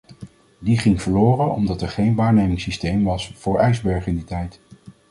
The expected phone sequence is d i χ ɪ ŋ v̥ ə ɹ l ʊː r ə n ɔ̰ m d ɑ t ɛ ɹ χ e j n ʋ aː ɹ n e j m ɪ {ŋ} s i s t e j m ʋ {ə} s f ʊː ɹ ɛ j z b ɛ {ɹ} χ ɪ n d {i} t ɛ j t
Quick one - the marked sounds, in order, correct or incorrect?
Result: correct, incorrect: ɑ, correct, correct

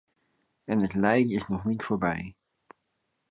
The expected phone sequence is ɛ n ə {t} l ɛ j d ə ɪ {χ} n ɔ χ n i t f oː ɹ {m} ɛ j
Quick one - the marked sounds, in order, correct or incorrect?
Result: correct, incorrect: s, incorrect: b

